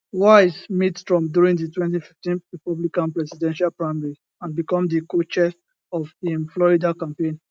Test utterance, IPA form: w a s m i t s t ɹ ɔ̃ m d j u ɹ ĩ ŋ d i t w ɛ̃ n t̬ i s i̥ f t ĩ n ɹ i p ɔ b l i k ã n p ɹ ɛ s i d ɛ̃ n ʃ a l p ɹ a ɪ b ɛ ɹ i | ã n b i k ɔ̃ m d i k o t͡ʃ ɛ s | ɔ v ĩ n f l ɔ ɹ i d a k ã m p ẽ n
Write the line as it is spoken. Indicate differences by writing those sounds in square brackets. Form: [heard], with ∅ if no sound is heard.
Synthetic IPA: w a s m i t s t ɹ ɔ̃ m d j u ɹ ĩ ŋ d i t w ɛ̃ n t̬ i [f] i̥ f t ĩ n ɹ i p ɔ b l i k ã n p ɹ ɛ s i d ɛ̃ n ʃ a l p ɹ a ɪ [m] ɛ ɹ i | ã n b i k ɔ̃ m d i k o t͡ʃ ɛ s | ɔ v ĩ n f l ɔ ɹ i d a k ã m p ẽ n